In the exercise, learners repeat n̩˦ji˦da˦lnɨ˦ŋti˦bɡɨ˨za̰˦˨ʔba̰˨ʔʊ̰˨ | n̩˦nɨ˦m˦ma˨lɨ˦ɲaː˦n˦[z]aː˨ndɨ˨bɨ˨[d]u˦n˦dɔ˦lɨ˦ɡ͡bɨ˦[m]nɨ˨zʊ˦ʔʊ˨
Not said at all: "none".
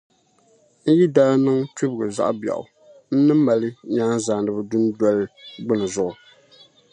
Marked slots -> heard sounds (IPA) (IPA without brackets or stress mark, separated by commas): z, d, none